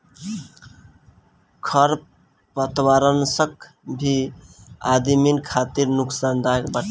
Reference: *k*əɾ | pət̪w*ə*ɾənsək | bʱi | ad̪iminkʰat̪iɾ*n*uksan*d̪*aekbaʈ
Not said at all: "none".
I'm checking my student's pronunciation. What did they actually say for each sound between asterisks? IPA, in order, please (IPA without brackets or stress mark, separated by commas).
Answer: kʰ, a, n, d̪